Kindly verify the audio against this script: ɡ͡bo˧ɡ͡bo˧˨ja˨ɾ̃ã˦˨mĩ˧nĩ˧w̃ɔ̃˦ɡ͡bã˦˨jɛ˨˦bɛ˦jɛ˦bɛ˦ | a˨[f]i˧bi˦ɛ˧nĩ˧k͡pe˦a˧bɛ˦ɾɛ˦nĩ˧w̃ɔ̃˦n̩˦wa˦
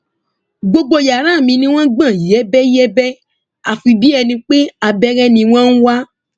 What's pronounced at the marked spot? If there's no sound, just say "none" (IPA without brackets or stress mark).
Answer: f